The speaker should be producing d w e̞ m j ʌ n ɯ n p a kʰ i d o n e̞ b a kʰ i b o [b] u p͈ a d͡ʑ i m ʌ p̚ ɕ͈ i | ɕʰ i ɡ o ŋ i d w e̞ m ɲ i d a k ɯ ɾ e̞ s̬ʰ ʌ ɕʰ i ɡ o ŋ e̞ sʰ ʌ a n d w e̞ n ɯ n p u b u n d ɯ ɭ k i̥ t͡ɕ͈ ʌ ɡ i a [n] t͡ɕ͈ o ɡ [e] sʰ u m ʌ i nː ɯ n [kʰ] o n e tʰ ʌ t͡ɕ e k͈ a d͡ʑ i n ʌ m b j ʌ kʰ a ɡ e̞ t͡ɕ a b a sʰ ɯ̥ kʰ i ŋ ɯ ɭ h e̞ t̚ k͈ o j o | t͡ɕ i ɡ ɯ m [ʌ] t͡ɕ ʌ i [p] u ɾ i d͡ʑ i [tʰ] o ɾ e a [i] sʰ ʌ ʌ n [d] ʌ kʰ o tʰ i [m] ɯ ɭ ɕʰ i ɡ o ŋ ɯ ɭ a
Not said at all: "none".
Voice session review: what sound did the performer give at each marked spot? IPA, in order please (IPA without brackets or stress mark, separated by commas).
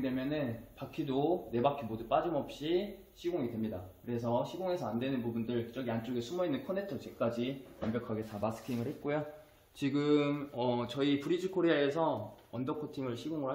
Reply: d, n, e, kʰ, ʌ, p, kʰ, e, d, ŋ